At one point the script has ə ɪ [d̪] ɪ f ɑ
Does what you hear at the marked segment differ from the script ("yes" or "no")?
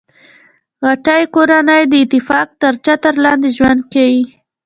yes